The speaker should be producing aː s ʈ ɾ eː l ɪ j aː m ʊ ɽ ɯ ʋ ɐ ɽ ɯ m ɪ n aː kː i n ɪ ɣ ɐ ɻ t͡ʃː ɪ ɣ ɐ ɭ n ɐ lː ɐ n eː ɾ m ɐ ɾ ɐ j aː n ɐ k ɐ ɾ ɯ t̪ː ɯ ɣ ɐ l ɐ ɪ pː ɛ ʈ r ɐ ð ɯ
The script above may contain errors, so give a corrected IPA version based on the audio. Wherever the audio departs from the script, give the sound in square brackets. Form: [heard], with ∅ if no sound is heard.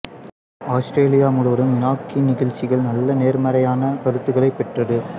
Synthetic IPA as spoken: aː s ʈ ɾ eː l ɪ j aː m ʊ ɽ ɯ ʋ ɐ ɽ ɯ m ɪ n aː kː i n ɪ ɣ ɐ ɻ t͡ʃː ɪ ɣ ɐ ɭ n ɐ lː ɐ n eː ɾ m ɐ ɾ ɐ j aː n ɐ k ɐ ɾ ɯ t̪ː ɯ ɣ ɐ [ɭ] ɐ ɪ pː ɛ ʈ r ɐ ð ɯ